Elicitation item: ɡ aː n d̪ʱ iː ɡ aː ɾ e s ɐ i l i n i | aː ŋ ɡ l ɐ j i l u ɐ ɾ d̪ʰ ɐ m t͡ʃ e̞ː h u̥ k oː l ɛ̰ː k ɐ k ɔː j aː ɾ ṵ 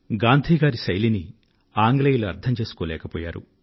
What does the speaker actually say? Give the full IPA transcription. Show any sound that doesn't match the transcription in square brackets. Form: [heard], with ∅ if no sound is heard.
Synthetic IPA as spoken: ɡ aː n d̪ʱ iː ɡ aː ɾ [i] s ɐ [j] l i n i | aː ŋ ɡ l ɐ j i l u ɐ ɾ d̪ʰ ɐ m t͡ʃ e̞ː [s] u̥ k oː l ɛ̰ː k ɐ [p] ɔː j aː ɾ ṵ